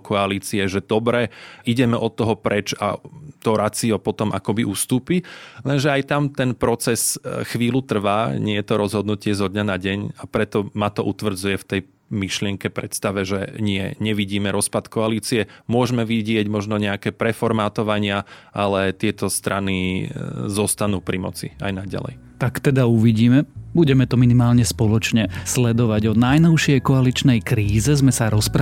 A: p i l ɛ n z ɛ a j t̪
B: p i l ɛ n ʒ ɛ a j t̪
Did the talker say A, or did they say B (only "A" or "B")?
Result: B